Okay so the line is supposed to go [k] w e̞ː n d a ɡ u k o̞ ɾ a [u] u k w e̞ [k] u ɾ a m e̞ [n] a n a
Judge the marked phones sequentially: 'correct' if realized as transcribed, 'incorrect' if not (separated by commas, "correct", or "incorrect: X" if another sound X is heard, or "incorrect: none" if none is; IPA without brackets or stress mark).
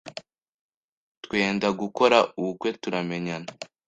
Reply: incorrect: t, correct, incorrect: t, incorrect: ɲ